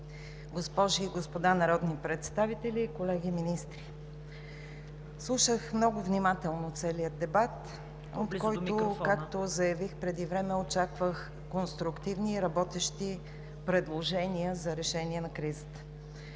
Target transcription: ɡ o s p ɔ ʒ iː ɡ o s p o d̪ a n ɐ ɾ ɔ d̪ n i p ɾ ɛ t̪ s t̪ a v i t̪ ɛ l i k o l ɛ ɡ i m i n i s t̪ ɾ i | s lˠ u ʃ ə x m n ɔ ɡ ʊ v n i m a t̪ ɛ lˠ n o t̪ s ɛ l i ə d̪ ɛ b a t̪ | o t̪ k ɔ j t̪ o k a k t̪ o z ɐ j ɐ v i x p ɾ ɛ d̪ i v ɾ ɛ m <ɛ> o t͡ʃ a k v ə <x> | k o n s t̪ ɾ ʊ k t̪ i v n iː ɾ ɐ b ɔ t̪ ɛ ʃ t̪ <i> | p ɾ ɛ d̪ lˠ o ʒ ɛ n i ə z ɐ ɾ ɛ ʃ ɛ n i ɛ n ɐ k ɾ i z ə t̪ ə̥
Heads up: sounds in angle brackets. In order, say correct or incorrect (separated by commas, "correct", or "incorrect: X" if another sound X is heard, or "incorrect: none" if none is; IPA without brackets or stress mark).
correct, correct, correct